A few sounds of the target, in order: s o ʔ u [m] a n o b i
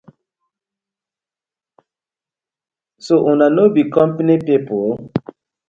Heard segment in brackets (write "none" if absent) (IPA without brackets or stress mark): n